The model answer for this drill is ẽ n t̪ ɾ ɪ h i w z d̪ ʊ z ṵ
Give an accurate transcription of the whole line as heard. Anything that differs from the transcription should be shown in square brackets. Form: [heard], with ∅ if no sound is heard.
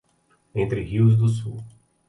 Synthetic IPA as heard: ẽ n t̪ ɾ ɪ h i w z d̪ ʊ [s] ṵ

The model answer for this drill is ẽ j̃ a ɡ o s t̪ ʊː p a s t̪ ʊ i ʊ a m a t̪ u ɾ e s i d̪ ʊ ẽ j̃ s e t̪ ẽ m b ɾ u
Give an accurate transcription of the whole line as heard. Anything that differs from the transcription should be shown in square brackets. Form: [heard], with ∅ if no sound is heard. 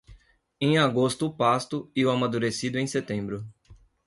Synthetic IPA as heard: ẽ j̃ a ɡ o s t̪ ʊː p a s t̪ ʊ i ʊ a m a [d̪] u ɾ e s i d̪ ʊ ẽ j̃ s e t̪ ẽ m b ɾ [ʊ]

